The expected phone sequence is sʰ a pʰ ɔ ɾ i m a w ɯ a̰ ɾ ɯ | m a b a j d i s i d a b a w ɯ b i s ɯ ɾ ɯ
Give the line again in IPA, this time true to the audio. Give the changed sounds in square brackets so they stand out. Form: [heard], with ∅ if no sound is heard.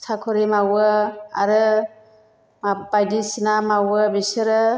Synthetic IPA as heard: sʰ a [kʰ] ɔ ɾ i m a w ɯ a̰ ɾ ɯ | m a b a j d i s i [n] a [m] a w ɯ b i s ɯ ɾ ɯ